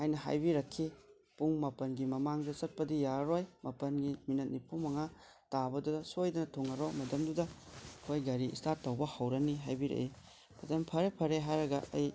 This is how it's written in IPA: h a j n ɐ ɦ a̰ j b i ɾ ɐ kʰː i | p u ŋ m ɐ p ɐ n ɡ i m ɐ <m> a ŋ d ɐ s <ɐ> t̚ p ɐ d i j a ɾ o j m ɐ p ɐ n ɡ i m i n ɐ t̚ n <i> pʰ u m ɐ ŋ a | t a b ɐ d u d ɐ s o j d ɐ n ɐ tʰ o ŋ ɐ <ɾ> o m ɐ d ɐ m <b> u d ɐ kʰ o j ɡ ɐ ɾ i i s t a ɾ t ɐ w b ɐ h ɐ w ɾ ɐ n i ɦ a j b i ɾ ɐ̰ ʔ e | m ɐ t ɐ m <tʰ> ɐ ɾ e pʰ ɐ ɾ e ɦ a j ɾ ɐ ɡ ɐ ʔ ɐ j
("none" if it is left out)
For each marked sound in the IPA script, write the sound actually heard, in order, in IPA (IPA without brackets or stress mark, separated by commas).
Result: m, ɐ, i, ɾ, d, pʰ